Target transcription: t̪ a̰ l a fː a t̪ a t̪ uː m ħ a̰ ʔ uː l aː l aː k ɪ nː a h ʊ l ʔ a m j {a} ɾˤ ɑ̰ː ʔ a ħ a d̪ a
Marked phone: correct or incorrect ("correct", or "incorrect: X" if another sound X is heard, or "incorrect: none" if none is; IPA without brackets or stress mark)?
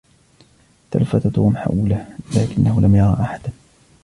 incorrect: ɑ